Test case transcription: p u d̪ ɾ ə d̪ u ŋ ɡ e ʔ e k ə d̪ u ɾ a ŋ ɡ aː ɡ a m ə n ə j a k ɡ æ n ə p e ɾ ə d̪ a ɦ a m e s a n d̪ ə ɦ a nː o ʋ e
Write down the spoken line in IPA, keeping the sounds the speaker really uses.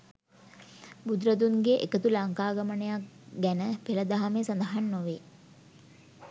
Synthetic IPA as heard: b u d̪ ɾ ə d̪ u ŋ ɡ e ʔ e k ə t̪ u l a ŋ k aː ɡ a m ə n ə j a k ɡ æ n ə p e l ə d̪ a ɦ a m e s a n d̪ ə ɦ a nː o ʋ e